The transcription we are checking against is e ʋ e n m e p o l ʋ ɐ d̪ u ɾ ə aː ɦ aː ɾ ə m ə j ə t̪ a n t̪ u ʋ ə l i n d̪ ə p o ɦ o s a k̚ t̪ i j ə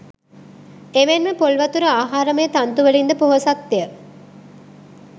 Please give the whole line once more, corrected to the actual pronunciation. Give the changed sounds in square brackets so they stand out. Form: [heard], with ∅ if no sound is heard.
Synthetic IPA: e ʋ e n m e p o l ʋ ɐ [t̪] u ɾ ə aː ɦ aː ɾ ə m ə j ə t̪ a n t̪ u ʋ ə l i n d̪ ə p o ɦ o s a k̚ t̪ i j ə